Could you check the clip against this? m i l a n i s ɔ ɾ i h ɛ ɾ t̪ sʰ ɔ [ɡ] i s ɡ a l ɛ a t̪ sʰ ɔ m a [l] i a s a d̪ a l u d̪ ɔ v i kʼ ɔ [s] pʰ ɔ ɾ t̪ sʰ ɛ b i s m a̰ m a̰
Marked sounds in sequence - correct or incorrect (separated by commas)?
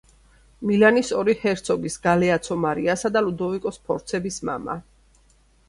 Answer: correct, incorrect, correct